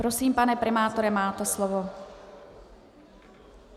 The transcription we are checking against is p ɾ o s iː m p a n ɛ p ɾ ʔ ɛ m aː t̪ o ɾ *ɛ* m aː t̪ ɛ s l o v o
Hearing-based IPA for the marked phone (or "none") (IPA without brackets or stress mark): ɛ